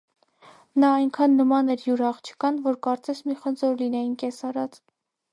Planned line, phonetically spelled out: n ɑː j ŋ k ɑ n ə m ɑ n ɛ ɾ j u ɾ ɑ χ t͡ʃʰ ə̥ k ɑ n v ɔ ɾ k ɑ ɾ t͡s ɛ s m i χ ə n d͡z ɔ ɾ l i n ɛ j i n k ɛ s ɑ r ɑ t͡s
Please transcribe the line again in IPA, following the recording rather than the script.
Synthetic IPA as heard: n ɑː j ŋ kʰ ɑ nː ə m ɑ n ɛ ɾ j u ɾ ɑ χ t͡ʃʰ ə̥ k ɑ n v ɔ ɾ k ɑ ɾ t͡s ɛ s m i χ ə n d͡z ɔ ɾ l i n ɛ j i n k ɛ s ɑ ɾ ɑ t͡s